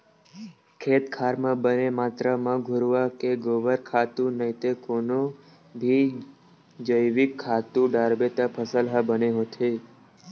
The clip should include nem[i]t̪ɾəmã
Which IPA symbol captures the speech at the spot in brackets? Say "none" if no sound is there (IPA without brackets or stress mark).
a